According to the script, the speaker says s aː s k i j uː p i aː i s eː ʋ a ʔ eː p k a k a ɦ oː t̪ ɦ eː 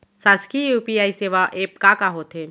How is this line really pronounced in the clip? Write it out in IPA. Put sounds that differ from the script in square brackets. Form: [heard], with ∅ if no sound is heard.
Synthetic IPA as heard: s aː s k i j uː p i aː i s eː ʋ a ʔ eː p k a k a ɦ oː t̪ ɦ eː